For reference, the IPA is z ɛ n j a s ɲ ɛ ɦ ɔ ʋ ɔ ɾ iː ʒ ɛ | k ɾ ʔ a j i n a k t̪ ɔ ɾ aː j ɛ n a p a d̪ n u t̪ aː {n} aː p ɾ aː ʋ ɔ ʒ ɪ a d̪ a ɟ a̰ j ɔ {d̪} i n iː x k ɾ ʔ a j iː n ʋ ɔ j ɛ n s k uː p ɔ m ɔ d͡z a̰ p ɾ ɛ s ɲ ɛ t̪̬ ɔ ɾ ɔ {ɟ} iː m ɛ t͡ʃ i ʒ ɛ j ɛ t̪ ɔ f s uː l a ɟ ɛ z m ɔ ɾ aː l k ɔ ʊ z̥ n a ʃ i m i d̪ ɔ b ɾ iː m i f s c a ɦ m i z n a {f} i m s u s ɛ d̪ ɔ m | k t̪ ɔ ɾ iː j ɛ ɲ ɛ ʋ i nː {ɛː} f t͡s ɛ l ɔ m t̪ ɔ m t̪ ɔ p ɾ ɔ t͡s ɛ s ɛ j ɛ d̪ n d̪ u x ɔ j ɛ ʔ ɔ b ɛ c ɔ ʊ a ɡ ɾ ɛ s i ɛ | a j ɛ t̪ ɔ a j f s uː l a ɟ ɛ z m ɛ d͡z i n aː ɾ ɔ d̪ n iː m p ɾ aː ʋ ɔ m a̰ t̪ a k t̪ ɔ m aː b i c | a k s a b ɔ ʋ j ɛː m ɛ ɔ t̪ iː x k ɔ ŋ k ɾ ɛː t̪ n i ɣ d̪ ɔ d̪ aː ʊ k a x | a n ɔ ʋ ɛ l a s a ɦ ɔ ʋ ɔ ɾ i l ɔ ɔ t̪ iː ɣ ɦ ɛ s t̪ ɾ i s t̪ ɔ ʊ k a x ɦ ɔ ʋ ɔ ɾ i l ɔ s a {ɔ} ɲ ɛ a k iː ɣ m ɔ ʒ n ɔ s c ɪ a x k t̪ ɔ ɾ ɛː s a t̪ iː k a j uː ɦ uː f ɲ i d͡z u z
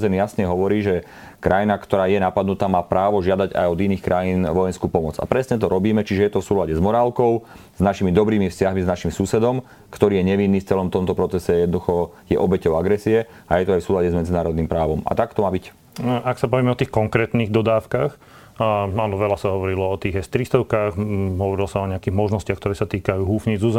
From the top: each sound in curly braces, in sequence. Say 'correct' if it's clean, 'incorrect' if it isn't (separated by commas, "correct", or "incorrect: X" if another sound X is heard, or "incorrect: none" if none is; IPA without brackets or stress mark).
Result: incorrect: m, correct, incorrect: b, incorrect: ʃ, incorrect: iː, correct